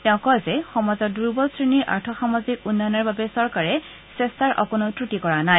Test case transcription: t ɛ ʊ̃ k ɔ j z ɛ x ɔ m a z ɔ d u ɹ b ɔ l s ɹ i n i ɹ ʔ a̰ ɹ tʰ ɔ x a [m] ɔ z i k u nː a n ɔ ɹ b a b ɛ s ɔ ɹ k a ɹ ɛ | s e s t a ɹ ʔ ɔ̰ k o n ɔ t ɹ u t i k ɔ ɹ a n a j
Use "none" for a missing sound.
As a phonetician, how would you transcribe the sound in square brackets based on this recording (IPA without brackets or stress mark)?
m